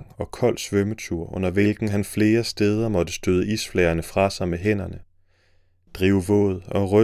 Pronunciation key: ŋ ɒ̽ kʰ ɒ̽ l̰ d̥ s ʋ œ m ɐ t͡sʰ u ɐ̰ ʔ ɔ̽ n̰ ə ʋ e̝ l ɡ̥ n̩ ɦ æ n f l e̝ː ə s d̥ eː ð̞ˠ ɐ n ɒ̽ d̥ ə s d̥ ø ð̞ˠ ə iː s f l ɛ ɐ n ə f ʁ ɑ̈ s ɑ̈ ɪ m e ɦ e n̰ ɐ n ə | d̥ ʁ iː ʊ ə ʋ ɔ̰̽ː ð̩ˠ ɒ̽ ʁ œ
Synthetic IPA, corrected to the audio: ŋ ɒ̽ kʰ ɒ̽ l̰ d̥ s ʋ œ m ə t͡sʰ u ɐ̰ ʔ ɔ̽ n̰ ɐ ʋ e̝ l ɡ̥ n̩ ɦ æ n f l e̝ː ɐ s d̥ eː ð̞ˠ ɐ m ɒ̽ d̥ ə s d̥ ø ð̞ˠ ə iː s f l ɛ ɐ n ə f ʁ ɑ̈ s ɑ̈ ɪ m e ɦ e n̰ ɐ n ə | d̥ ʁ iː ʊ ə ʋ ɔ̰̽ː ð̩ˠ ɒ̽ ʁ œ